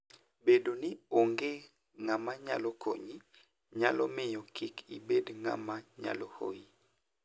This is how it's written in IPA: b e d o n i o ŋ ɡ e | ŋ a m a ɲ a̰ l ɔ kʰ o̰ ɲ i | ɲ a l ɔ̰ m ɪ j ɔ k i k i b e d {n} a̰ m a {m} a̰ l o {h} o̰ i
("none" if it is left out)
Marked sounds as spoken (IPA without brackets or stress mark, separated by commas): ŋ, ɲ, h